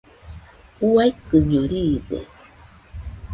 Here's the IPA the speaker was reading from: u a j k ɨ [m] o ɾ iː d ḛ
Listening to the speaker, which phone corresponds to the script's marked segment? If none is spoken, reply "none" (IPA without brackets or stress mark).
ɲ